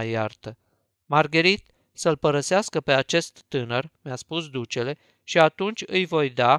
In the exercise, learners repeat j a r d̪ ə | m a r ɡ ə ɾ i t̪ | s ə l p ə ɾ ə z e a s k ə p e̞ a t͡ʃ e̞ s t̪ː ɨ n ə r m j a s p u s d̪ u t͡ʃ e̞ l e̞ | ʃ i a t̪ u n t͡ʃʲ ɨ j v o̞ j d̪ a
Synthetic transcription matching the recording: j a r t̪ ə | m a r ɡ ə ɾ i t̪ | s ə l p ə ɾ ə s e a s k ə p e̞ a t͡ʃ e̞ s t̪ː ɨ n ə r m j a s p u s d̪ u t͡ʃ e̞ l e̞ | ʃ i a t̪ u n t͡ʃʲ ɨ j v o̞ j d̪ a